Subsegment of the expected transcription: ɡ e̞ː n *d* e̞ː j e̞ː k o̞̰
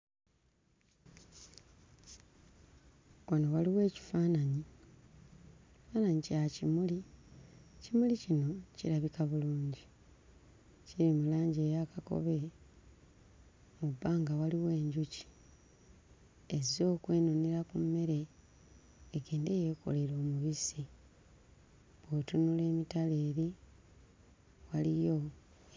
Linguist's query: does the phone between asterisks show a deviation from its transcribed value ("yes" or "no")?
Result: no